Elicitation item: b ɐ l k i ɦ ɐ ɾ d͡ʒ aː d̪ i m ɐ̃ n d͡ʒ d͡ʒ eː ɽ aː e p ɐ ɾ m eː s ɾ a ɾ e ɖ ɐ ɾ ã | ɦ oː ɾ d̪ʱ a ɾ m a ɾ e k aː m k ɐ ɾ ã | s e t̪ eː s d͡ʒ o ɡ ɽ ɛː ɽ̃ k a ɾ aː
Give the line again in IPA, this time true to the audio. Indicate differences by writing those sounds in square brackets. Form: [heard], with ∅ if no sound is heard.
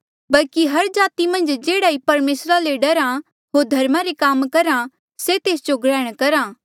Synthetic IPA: b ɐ l k i ɦ ɐ ɾ d͡ʒ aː [t̪] i m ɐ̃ n d͡ʒ d͡ʒ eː ɽ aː [i] p ɐ ɾ m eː s ɾ a [l] e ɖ ɐ ɾ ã | ɦ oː ɾ d̪ʱ [ɐ] ɾ m a ɾ e k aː m k ɐ ɾ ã | s e t̪ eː s d͡ʒ o ɡ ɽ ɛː ɽ̃ k [ɐ] ɾ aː